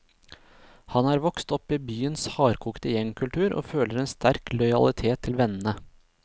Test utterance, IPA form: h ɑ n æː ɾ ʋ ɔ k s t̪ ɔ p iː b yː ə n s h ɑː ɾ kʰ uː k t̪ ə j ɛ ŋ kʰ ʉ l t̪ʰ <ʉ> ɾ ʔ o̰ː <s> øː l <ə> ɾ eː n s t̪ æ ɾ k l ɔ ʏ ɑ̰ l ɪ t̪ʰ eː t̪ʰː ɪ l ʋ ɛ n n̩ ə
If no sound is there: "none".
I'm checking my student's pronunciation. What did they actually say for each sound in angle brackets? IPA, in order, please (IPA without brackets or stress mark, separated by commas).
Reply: ʉː, f, ə